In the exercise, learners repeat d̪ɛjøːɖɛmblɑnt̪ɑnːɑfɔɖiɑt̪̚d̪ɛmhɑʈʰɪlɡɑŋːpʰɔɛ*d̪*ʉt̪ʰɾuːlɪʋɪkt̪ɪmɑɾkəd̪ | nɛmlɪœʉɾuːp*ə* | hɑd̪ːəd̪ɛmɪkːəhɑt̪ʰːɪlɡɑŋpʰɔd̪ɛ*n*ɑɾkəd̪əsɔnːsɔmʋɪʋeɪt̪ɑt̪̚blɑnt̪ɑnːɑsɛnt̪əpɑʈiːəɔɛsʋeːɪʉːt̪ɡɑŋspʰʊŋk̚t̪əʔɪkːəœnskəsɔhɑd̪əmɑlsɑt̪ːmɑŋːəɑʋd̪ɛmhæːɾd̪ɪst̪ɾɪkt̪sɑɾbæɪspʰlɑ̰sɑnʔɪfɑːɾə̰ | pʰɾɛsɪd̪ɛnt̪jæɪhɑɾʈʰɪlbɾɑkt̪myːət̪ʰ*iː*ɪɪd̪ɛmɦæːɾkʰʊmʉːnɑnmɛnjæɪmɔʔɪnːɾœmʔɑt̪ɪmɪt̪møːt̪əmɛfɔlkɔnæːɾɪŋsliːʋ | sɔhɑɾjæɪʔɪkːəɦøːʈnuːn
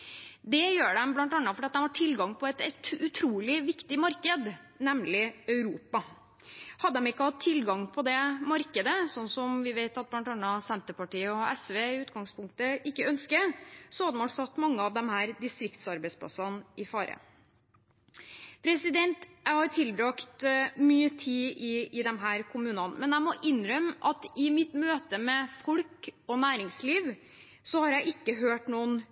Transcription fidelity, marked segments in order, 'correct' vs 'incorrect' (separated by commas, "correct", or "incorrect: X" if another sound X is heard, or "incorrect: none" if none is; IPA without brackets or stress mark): incorrect: t̪, incorrect: ɑ, incorrect: m, correct